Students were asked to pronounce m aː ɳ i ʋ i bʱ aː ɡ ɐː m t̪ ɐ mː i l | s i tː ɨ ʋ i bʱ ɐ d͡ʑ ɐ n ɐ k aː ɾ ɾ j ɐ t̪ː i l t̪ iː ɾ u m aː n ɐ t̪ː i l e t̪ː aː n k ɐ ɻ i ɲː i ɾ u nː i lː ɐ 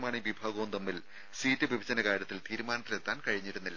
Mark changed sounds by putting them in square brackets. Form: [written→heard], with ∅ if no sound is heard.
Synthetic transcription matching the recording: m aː ɳ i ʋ i bʱ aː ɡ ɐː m t̪ ɐ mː i l | s [i→iː] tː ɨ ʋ i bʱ ɐ d͡ʑ ɐ n ɐ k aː ɾ ɾ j ɐ t̪ː i l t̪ iː ɾ u m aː n ɐ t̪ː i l e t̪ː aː n k ɐ ɻ i ɲː i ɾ u nː i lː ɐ